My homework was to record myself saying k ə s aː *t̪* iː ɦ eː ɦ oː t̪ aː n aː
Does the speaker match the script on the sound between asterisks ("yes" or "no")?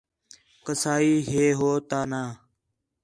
no